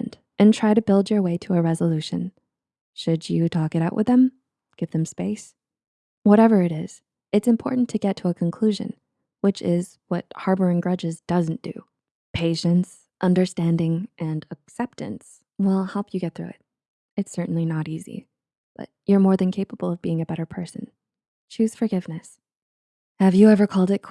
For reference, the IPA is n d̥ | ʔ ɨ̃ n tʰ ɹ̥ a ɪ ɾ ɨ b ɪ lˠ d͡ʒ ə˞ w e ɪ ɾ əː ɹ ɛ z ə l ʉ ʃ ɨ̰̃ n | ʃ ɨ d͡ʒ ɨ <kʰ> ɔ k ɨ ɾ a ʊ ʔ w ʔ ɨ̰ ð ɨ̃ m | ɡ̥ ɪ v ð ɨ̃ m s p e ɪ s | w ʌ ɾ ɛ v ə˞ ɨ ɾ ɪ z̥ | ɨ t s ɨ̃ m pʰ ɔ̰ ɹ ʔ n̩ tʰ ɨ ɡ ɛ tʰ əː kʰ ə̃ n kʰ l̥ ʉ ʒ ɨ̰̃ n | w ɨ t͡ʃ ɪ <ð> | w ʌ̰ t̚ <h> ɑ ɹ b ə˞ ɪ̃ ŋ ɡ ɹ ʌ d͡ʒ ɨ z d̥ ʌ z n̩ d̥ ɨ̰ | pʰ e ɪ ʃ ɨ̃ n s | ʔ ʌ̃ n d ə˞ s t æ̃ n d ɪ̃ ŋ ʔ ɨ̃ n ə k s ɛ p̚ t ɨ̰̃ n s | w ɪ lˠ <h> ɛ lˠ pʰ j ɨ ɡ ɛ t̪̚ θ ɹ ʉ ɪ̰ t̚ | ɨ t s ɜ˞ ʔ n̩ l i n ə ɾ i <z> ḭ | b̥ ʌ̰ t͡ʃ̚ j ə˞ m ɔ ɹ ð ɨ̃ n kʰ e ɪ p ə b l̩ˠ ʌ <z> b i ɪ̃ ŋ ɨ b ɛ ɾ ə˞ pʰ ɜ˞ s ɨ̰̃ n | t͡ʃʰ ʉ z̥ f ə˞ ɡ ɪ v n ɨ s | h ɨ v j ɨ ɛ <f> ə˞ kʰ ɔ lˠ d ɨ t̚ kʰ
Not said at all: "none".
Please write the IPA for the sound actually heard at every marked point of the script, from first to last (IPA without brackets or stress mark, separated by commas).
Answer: tʰ, z, h, h, z, v, v